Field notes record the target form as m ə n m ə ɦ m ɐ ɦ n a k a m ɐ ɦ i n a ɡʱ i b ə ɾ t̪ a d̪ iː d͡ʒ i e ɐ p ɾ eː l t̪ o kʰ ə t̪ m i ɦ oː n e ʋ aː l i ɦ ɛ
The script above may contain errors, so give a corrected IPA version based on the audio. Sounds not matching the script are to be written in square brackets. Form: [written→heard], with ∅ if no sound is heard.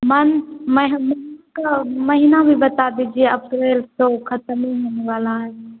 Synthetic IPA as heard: m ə n m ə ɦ m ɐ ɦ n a k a m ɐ ɦ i n a [ɡʱ→bʱ] i b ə [ɾ→∅] t̪ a d̪ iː d͡ʒ i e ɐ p ɾ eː l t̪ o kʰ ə t̪ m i ɦ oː n e ʋ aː l [i→a] ɦ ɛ